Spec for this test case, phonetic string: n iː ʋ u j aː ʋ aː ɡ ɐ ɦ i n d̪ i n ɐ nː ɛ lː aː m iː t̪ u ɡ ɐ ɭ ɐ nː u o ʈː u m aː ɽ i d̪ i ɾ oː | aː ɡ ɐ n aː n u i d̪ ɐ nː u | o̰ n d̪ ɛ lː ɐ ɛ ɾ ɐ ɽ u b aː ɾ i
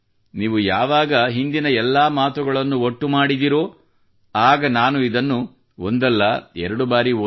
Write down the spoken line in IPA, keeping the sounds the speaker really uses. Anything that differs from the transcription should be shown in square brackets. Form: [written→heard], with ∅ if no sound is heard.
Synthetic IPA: n iː ʋ u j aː ʋ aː ɡ ɐ ɦ i n d̪ i n ɐ [nː→∅] ɛ lː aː m [iː→aː] t̪ u ɡ ɐ ɭ ɐ nː u o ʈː u m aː ɽ i d̪ i ɾ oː | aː ɡ ɐ n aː n u i d̪ ɐ nː u | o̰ n d̪ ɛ lː ɐ ɛ ɾ ɐ ɽ u b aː ɾ i

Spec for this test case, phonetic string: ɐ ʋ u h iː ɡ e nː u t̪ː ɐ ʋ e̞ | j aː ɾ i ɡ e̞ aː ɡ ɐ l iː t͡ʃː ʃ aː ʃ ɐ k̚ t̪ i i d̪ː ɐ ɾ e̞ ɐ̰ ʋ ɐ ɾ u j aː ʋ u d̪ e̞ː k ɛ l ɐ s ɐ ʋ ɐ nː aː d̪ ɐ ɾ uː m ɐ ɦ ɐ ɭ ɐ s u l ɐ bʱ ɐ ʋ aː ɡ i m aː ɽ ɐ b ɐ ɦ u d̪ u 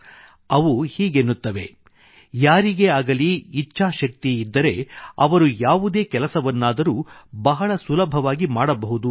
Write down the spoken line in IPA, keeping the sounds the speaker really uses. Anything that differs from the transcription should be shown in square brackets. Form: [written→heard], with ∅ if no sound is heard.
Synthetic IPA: ɐ ʋ u h iː ɡ e nː u t̪ː ɐ ʋ e̞ | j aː ɾ i ɡ e̞ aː ɡ ɐ l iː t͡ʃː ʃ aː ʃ ɐ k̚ t̪ i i d̪ː ɐ ɾ e̞ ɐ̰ ʋ ɐ ɾ u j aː ʋ u d̪ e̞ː k ɛ l ɐ s ɐ ʋ ɐ nː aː d̪ ɐ ɾ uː [m→b] ɐ ɦ ɐ ɭ ɐ s u l ɐ bʱ ɐ ʋ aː ɡ i m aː ɽ ɐ b ɐ ɦ u d̪ u

